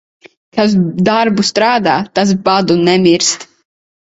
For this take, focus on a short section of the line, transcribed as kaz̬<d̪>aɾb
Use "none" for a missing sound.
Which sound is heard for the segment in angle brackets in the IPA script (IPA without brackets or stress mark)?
d̪